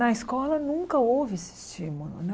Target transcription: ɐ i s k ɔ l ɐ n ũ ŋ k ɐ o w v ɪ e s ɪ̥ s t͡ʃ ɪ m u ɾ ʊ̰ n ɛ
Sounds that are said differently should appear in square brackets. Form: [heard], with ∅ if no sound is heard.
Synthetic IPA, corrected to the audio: ɐ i s k ɔ l ɐ n ũ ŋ k ɐ o w v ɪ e s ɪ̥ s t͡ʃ [i] m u [l] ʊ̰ n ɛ